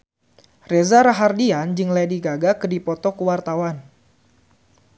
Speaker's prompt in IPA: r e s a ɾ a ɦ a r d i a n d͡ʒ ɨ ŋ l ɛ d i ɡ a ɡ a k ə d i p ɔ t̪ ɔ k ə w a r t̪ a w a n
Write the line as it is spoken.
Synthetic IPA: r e z a ɾ a ɦ a r d i a n d͡ʒ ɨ ŋ l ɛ d i ɡ a ɡ a k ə d i p ɔ t̪ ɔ k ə w a r t̪ a w a n